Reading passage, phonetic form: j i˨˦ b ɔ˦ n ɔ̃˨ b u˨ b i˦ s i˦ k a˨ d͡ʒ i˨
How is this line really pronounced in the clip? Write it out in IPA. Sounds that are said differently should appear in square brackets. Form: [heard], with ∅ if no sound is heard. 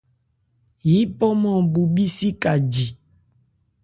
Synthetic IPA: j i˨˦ [p] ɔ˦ [m] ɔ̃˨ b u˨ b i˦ s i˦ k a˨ d͡ʒ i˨